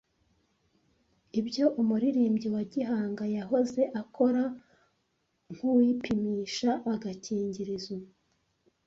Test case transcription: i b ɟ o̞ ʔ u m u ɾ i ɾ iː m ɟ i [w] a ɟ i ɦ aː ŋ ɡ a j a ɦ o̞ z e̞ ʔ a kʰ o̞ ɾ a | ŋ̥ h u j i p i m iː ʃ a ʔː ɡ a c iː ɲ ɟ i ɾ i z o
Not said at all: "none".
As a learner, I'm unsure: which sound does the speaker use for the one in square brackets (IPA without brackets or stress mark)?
w